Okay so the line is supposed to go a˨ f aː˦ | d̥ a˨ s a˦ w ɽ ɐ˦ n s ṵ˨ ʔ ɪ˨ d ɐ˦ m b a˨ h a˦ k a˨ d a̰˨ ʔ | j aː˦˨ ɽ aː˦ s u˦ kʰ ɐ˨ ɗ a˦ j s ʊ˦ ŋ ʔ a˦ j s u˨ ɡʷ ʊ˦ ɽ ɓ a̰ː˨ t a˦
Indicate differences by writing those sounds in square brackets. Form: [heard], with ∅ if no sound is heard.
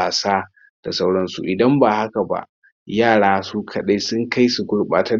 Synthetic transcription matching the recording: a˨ [s] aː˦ | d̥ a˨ s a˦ w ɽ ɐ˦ n s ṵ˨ ʔ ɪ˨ d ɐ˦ m b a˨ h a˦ k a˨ [b] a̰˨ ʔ | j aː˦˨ ɽ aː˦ s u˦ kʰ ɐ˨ ɗ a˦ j s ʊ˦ ŋ [k] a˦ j s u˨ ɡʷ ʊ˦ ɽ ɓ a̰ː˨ t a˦